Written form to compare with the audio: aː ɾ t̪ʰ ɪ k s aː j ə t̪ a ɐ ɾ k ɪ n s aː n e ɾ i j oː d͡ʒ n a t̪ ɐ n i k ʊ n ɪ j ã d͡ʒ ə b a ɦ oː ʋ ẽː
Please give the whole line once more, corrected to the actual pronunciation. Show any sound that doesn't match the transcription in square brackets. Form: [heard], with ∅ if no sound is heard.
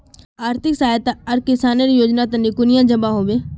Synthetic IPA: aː ɾ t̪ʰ ɪ k s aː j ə t̪ a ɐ ɾ k ɪ [∅] s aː n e ɾ i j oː d͡ʒ n a t̪ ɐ n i k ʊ n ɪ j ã d͡ʒ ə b a ɦ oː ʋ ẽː

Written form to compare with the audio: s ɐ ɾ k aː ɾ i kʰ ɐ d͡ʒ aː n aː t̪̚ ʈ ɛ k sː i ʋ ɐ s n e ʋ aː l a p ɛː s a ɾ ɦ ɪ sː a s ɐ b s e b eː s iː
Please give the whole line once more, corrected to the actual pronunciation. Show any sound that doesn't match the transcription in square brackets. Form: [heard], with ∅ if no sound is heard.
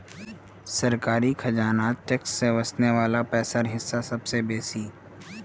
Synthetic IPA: s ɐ ɾ k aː ɾ i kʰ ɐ d͡ʒ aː n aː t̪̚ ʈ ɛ k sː [e] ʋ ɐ s n e ʋ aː l a p ɛː s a ɾ ɦ ɪ sː a s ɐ b s e b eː s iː

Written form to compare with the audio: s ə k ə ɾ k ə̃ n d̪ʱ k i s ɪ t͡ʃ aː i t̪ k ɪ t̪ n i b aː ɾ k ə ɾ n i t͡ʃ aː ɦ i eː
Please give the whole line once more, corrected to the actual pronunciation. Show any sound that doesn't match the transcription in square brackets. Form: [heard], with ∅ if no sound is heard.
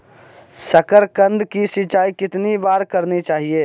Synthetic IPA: s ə k ə ɾ k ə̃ n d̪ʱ k i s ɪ t͡ʃ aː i [∅] k ɪ t̪ n i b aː ɾ k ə ɾ n i t͡ʃ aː ɦ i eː

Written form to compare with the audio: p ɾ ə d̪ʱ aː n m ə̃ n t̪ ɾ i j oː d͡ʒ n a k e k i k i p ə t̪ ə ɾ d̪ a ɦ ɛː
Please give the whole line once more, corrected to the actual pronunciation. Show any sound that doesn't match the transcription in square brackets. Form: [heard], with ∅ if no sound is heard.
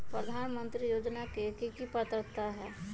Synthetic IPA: p ɾ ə d̪ʱ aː n m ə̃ n t̪ ɾ i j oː d͡ʒ n a k e k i k i p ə t̪ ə ɾ [t̪] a ɦ ɛː

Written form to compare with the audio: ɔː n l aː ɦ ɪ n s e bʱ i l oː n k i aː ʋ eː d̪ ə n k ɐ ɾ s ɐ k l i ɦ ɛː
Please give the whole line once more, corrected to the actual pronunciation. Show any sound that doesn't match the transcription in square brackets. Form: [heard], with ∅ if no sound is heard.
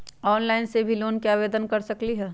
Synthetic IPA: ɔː n l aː [∅] ɪ n s e bʱ i l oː n k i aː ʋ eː d̪ ə n k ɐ ɾ s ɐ k l i ɦ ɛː

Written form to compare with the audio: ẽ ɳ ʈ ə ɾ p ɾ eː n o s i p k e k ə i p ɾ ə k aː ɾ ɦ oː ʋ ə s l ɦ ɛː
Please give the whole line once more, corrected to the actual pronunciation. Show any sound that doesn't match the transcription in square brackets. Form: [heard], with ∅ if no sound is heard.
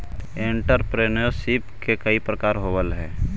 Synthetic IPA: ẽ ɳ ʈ ə ɾ p ɾ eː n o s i p k e k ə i p ɾ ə k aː ɾ ɦ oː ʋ ə [∅] l ɦ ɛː

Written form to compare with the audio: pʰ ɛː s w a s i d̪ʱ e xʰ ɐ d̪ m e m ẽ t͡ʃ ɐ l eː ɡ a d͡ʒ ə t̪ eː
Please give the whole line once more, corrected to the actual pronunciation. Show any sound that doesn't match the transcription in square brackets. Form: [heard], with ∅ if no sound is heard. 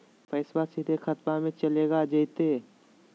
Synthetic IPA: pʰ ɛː s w a s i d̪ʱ e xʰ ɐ [t̪] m [a] m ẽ t͡ʃ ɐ l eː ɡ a d͡ʒ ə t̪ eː

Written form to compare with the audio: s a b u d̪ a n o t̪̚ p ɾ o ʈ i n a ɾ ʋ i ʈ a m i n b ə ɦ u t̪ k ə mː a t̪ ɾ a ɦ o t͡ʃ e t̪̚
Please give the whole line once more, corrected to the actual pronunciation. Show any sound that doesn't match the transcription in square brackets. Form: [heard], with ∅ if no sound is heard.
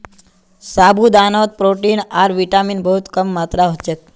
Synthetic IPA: s a b u d̪ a n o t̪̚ p ɾ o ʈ i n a ɾ ʋ i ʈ a m i n b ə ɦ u t̪ k ə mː a t̪ ɾ a ɦ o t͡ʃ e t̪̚

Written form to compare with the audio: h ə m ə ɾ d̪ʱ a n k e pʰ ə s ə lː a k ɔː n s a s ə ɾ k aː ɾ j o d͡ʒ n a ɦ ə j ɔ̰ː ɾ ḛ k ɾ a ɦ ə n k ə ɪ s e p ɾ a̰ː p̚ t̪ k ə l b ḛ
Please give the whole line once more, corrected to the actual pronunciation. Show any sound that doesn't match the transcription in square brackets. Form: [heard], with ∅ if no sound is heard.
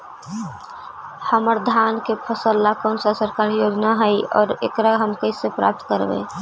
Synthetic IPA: h ə m ə ɾ d̪ʱ a n k e pʰ ə s ə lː a k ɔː n s a s ə ɾ k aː ɾ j o d͡ʒ n a ɦ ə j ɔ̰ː ɾ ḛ k ɾ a ɦ ə [m] k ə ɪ s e p ɾ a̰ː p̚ t̪ k ə [ɾ] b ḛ

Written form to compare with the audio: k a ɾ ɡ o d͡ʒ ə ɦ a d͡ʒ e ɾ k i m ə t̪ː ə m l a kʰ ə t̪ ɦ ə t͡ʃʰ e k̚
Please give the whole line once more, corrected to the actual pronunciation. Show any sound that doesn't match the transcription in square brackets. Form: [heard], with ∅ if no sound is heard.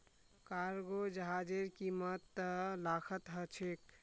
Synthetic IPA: k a ɾ ɡ o d͡ʒ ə ɦ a d͡ʒ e ɾ k i m ə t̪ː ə [∅] l a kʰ ə t̪ ɦ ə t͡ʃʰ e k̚

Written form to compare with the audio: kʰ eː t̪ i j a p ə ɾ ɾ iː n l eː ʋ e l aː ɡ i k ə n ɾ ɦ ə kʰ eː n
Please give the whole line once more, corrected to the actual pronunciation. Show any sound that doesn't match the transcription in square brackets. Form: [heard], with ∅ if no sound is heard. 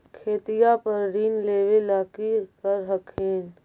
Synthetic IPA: kʰ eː t̪ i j a p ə ɾ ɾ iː n l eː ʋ e l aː [k] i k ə [∅] ɾ ɦ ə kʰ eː n

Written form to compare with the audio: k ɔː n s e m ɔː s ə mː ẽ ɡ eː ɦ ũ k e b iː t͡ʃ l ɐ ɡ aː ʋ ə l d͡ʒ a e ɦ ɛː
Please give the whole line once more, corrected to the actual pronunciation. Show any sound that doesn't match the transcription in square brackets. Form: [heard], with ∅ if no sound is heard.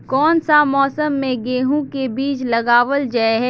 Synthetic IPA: k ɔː n s [a] m ɔː s ə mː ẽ ɡ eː ɦ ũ k e b iː t͡ʃ l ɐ ɡ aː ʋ ə l d͡ʒ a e ɦ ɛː

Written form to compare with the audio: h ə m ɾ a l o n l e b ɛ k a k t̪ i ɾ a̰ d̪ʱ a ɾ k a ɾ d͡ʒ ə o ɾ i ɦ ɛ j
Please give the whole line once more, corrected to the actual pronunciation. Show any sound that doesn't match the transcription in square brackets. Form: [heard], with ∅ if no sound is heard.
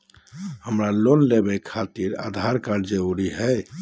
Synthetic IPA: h ə m ɾ a l o n l e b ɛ [kʰ] a [∅] t̪ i ɾ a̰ d̪ʱ a ɾ k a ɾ d͡ʒ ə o ɾ i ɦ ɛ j

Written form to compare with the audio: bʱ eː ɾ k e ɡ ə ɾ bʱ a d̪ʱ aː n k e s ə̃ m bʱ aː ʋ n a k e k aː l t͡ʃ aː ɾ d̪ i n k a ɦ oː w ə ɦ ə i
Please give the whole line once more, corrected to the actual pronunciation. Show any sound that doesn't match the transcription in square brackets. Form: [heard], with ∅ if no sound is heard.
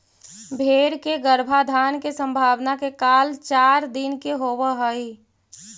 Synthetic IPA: bʱ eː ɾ k e ɡ ə ɾ bʱ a d̪ʱ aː n k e s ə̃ m bʱ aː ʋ n a k e k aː l t͡ʃ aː ɾ d̪ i n k [e] ɦ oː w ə ɦ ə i

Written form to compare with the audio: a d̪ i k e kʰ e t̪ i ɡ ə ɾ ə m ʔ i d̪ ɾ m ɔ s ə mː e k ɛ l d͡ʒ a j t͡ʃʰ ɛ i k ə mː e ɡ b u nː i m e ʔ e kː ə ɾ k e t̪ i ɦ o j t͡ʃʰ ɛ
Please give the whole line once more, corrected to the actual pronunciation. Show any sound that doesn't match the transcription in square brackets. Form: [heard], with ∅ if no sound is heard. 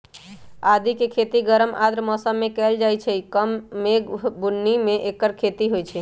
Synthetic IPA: a d̪ i k e kʰ e t̪ i ɡ ə ɾ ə m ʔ [a] d̪ ɾ m ɔ s ə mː e k ɛ l d͡ʒ a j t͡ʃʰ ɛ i k ə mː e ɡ b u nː i m e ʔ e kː ə ɾ [kʰ] e t̪ i ɦ o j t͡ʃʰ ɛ

